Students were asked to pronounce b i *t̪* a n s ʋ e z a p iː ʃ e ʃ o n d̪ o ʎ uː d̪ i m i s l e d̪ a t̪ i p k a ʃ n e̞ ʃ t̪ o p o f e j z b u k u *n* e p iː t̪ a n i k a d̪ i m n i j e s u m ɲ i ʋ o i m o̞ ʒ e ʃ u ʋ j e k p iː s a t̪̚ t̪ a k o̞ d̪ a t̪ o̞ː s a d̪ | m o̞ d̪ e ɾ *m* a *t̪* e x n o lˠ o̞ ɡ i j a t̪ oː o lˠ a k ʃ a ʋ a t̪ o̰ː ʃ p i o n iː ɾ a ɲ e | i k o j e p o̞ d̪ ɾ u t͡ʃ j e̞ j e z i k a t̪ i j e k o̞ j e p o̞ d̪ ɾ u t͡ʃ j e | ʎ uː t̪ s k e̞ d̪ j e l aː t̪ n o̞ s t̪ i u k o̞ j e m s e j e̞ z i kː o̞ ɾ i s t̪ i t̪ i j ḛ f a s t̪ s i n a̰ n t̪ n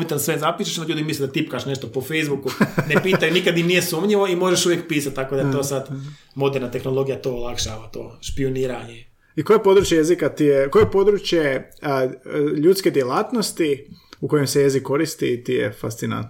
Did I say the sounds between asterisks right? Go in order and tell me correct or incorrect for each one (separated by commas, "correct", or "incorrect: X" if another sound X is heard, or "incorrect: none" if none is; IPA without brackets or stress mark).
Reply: correct, correct, incorrect: n, correct